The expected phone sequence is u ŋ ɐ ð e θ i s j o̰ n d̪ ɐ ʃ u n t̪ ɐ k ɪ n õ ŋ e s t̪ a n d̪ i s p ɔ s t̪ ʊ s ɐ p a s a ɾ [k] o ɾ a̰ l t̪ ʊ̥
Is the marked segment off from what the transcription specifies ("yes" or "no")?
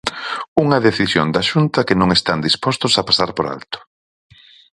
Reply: yes